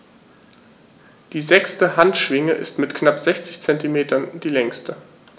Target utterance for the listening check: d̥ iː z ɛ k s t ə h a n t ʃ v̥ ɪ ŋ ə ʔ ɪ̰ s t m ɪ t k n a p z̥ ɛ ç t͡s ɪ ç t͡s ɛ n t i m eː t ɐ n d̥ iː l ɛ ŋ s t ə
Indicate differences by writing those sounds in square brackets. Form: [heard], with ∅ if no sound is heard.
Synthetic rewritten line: d̥ iː z ɛ k s t ə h a n t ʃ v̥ ɪ ŋ ə ʔ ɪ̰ s t m ɪ t k n a p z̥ ɛ ç t͡s ɪ ç t͡s ɛ n t i m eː t ɐ n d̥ iː l ɛ ŋ s t ə

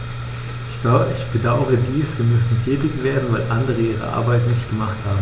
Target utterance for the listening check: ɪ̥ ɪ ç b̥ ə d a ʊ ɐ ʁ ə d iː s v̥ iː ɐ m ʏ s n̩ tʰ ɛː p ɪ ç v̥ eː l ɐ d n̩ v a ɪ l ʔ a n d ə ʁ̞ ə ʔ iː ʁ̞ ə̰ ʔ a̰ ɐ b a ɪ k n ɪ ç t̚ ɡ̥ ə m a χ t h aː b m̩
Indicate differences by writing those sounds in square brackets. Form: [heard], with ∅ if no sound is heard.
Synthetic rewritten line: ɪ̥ ɪ ç b̥ ə d a ʊ [ə] ʁ ə d iː s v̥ iː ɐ m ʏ s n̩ tʰ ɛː [t] ɪ ç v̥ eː [∅] ɐ d n̩ v a ɪ l ʔ a n d ə ʁ̞ ə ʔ iː ʁ̞ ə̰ ʔ a̰ ɐ b a ɪ [t] n ɪ ç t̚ ɡ̥ ə m a χ t h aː b m̩

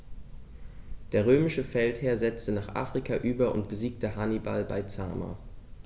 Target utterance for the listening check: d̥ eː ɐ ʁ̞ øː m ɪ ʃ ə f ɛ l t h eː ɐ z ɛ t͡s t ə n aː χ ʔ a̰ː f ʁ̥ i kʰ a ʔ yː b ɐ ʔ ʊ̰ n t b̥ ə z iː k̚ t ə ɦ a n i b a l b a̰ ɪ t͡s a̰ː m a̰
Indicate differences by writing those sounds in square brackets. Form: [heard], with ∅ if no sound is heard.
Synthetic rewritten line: d̥ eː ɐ ʁ̞ øː m ɪ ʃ ə f ɛ l t h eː ɐ z ɛ t͡s t ə n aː χ ʔ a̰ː f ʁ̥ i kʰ a ʔ yː b ɐ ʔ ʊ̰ n t b̥ ə z iː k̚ t ə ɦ a n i b a l b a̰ ɪ t͡s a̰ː m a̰

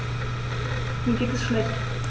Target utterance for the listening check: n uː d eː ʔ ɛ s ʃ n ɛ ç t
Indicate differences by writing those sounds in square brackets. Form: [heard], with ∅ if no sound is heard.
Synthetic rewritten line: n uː [ɡ] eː [t] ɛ s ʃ n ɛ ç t

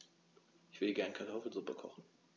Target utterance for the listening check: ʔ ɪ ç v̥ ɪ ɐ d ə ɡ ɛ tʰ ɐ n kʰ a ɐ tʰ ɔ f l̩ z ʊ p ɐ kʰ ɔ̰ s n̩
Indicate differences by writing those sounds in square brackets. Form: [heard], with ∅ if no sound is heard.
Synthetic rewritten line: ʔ ɪ ç v̥ ɪ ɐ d ə ɡ ɛ [∅] ɐ n kʰ a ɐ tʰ ɔ f l̩ z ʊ p [ə] kʰ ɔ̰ [χ] n̩

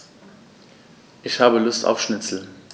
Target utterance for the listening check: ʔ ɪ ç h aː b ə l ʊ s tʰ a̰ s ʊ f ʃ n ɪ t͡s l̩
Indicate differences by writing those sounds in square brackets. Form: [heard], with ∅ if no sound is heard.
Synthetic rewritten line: ʔ ɪ ç h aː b ə l ʊ s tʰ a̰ [∅] ʊ f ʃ n ɪ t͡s l̩

